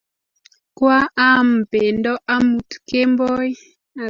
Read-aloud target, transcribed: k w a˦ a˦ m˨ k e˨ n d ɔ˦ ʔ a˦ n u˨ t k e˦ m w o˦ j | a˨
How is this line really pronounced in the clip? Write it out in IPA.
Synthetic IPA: k w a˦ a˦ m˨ p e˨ n d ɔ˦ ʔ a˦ m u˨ t k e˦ m b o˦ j | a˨